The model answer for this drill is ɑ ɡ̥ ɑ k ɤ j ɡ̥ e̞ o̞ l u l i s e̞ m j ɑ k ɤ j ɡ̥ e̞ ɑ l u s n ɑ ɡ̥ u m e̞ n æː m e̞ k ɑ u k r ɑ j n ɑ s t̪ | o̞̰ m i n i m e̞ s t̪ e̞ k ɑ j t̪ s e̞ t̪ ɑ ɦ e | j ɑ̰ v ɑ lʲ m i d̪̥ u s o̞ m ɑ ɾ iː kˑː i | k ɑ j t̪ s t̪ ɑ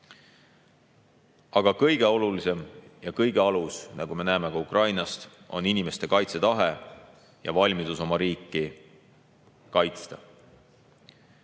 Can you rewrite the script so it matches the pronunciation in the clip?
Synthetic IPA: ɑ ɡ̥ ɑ k ɤ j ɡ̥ e̞ o̞ l u l i s e̞ m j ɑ k ɤ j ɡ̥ e̞ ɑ l u s n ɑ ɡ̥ u m e̞ n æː m e̞ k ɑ u k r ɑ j n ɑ s t̪ | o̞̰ n i n i m e̞ s t̪ e̞ k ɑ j t̪ s e̞ t̪ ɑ ɦ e | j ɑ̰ v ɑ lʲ m i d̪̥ u s o̞ m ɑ ɾ iː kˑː i | k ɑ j t̪ s t̪ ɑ